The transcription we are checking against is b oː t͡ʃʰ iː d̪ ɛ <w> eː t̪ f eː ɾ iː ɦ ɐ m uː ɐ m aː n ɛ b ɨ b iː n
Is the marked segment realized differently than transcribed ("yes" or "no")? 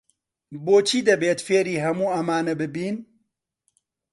yes